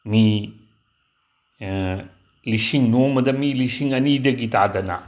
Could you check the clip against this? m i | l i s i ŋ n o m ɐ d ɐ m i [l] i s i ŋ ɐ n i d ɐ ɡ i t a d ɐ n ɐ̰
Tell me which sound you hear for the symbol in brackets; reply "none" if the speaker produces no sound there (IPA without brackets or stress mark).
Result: l